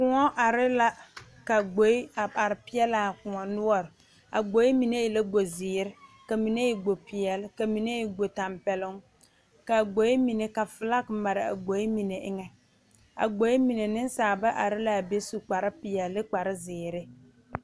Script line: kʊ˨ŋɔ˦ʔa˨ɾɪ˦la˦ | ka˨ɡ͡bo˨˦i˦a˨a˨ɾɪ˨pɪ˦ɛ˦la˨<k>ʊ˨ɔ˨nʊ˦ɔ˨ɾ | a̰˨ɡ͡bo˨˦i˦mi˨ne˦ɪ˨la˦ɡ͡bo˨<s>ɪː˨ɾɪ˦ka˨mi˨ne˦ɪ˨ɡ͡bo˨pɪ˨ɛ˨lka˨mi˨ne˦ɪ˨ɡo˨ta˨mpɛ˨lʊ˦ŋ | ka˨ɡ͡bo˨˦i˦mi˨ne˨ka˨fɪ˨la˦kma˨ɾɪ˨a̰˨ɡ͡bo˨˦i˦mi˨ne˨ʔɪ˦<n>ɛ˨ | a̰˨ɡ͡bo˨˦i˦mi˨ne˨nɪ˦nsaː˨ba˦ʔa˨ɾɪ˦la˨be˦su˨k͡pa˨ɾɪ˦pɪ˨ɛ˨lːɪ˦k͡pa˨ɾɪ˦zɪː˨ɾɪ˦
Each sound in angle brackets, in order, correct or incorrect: correct, incorrect: z, incorrect: ŋ

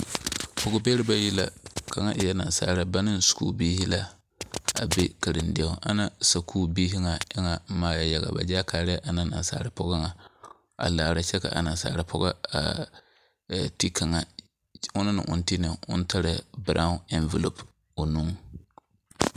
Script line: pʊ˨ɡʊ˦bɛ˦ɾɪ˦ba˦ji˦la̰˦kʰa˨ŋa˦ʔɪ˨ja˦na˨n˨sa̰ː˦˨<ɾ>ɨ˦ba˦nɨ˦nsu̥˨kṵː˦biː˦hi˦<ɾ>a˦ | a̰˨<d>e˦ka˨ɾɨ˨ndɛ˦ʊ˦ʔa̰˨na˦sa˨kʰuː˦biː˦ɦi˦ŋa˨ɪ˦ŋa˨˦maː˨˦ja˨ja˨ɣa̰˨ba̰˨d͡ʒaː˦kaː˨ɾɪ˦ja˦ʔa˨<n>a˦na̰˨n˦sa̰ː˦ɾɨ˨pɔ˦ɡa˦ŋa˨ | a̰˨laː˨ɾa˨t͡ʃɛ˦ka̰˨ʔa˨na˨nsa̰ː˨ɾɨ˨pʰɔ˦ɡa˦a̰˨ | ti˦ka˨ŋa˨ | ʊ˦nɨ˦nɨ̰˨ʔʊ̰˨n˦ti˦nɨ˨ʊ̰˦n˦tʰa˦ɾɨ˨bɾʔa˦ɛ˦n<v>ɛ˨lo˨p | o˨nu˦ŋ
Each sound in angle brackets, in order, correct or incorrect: correct, incorrect: l, incorrect: b, correct, correct

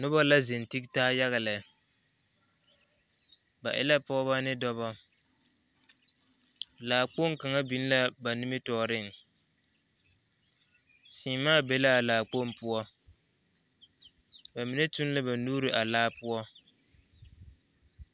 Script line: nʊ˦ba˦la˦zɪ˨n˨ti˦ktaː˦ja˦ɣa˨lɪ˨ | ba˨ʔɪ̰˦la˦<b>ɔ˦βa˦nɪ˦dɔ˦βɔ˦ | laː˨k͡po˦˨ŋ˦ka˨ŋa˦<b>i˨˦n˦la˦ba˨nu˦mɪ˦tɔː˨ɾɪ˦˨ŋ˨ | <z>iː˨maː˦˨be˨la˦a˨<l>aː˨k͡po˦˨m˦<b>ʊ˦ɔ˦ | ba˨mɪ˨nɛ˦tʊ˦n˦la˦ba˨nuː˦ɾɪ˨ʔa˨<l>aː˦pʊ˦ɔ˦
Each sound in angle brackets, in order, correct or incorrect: incorrect: p, correct, incorrect: s, correct, incorrect: p, correct

